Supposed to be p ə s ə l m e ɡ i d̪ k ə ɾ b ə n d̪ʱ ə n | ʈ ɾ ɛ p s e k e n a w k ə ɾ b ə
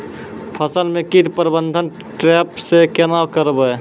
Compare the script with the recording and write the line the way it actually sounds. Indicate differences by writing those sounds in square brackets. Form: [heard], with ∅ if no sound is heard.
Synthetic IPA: [pʰ] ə s ə l m e [k] i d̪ [p] ə ɾ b ə n d̪ʱ ə n | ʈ ɾ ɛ p s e k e n a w k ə ɾ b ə